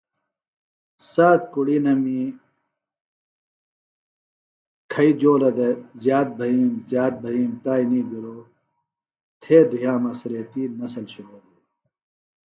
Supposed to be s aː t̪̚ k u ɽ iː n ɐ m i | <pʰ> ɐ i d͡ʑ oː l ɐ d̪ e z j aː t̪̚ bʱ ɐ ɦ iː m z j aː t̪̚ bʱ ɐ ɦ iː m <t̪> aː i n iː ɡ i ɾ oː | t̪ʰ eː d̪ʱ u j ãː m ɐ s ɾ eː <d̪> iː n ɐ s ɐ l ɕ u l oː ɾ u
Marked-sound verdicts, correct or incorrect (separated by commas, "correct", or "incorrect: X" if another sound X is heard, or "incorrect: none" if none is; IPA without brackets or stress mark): incorrect: kʰ, correct, incorrect: t̪